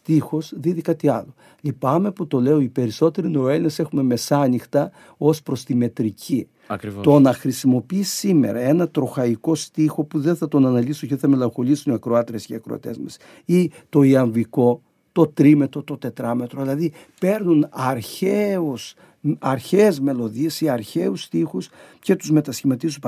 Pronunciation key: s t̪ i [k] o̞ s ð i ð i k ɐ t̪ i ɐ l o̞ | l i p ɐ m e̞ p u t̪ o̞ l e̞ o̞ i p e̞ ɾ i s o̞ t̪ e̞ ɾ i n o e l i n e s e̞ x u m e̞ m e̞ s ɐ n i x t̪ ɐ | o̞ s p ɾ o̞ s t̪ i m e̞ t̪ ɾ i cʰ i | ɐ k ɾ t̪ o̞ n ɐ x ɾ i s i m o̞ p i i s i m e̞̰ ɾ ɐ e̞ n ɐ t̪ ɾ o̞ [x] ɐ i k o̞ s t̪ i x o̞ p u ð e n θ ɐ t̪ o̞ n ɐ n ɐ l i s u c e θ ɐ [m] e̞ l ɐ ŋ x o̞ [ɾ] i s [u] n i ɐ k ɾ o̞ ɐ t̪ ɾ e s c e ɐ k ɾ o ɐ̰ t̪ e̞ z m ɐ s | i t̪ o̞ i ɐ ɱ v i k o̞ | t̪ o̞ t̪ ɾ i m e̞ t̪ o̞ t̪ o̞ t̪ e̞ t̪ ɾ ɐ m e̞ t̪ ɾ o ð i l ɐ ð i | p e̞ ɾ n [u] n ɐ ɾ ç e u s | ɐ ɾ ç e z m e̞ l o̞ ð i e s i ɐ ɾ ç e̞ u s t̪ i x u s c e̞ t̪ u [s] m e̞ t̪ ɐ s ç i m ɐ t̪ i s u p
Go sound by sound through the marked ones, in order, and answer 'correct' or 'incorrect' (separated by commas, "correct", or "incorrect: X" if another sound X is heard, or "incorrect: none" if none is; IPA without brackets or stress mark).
incorrect: x, correct, correct, incorrect: l, correct, correct, incorrect: z